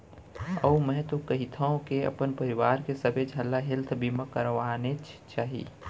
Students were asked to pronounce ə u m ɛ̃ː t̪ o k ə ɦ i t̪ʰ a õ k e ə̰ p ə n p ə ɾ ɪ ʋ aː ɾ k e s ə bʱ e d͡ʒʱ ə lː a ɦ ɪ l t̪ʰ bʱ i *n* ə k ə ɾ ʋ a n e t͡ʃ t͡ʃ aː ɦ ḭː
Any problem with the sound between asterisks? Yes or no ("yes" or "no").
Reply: yes